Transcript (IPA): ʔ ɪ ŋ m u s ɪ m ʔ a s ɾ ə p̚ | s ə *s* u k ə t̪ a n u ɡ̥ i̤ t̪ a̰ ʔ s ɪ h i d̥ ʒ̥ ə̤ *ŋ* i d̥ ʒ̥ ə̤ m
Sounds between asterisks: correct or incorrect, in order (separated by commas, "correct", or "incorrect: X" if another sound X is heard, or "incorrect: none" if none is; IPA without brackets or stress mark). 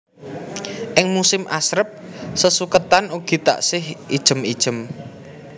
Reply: correct, incorrect: m